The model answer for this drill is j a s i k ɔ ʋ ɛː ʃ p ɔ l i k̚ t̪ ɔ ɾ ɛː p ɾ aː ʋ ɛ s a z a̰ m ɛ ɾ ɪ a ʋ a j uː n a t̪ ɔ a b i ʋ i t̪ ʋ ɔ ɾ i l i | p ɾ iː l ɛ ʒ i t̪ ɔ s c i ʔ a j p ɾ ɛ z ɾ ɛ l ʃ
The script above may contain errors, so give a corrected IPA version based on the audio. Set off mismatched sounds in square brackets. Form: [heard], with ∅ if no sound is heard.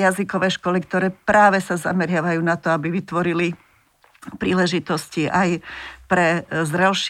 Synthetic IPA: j a [z] i k ɔ ʋ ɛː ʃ [k] ɔ l i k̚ t̪ ɔ ɾ ɛː p ɾ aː ʋ ɛ s a z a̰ m ɛ ɾ ɪ a ʋ a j uː n a t̪ ɔ a b i ʋ i t̪ ʋ ɔ ɾ i l i | p ɾ iː l ɛ ʒ i t̪ ɔ s c i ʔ a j p ɾ ɛ z ɾ ɛ l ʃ